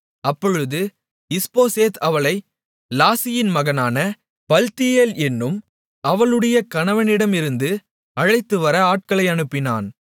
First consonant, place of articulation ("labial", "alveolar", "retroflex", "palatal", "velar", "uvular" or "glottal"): labial